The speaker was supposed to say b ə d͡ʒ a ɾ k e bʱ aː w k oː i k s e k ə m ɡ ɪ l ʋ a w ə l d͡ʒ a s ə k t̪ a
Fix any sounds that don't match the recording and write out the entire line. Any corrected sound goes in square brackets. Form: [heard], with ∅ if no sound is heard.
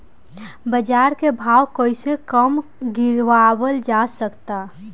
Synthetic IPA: b ə d͡ʒ a ɾ k e bʱ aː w k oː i [∅] s e k ə m ɡ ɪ [ɾ] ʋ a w ə l d͡ʒ a s ə k t̪ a